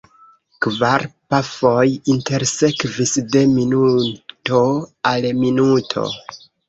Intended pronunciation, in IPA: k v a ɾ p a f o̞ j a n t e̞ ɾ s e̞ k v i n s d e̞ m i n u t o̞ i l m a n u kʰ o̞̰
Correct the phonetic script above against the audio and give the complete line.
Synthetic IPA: k v a ɾ p a f o̞ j i n t e̞ ɾ s e̞ k v i s d e̞ m i n u t o̞ a l m i n u tʰ o̞̰